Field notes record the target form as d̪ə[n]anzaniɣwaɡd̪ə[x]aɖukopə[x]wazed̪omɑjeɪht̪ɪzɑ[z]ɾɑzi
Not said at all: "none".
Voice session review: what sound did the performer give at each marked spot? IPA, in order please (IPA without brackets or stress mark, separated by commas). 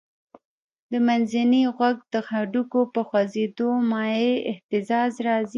m, x, x, z